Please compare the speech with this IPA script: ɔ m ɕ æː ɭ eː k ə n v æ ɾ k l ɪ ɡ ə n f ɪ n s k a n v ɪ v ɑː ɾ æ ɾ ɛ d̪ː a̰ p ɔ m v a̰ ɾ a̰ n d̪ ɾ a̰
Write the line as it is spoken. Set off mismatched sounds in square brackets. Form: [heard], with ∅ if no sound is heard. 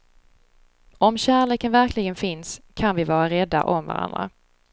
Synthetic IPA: ɔ m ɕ æː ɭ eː k ə n v æ ɾ k l ɪ ɡ ə n f ɪ n s [kʰ] a n v ɪ v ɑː ɾ [a] ɾ ɛ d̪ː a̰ [ʔ] ɔ m v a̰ ɾ a̰ n d̪ ɾ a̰